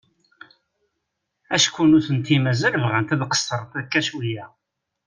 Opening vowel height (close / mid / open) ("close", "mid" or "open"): open